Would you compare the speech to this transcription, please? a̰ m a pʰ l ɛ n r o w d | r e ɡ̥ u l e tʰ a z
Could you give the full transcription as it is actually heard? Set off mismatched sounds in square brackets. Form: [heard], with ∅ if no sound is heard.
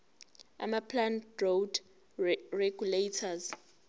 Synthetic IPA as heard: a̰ m a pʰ l [a] n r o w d | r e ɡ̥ u l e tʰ a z